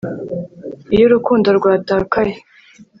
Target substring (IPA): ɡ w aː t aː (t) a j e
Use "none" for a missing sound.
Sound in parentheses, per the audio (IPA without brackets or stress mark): k